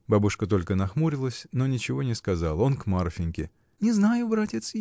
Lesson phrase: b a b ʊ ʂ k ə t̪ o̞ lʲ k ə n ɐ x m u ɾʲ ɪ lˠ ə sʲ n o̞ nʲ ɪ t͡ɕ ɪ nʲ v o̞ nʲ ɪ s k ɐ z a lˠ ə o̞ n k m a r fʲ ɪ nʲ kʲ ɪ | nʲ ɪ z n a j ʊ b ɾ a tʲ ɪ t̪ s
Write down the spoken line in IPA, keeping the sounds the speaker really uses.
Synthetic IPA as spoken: b a b ʊ ʂ k ə t̪ o̞ lʲ k ə n ɐ x m u ɾʲ ɪ lˠ ə sʲ n o̞ nʲ ɪ t͡ɕ ɪ v o̞ nʲ ɪ s k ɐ z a lˠ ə o̞ n k m a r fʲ ɪ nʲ kʲ ɪ | nʲ ɪ z n a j ʊ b ɾ a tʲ ɪ t̪ s